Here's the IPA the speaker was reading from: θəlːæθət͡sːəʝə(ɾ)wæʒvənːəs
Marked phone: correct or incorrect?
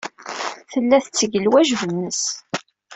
incorrect